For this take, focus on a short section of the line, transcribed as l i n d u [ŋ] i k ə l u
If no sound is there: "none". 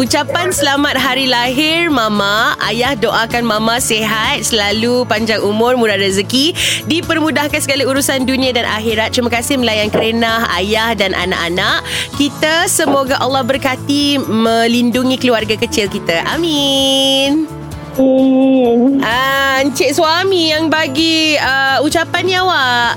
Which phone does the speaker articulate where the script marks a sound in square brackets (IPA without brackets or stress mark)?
ŋ